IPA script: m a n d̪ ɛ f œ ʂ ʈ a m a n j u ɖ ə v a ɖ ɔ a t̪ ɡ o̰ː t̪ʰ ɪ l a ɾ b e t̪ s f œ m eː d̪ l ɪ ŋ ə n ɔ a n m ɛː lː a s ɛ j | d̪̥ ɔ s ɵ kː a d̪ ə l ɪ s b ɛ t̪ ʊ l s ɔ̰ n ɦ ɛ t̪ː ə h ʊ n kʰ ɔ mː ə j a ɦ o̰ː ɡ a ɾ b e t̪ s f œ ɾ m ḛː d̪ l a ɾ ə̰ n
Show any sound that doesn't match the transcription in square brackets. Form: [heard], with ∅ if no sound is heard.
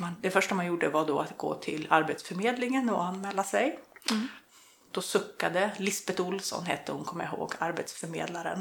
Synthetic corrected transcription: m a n d̪ ɛ f œ ʂ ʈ a m a n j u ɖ ə v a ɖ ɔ a t̪ ɡ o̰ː t̪ʰ ɪ l a ɾ b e t̪ s f œ m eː d̪ l ɪ ŋ ə n ɔ a n m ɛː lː a s ɛ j | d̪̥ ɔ s ɵ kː a d̪ ə l ɪ s b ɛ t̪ ʊ l s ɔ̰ n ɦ ɛ t̪ː ə h ʊ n kʰ ɔ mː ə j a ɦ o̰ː ɡ a ɾ b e t̪ s f œ ɾ m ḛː d̪ l a ɾ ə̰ n